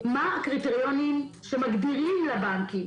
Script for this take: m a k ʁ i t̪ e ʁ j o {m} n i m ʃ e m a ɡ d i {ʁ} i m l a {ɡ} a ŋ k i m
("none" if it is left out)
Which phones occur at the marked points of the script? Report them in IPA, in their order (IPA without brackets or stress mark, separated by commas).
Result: none, ʁ, b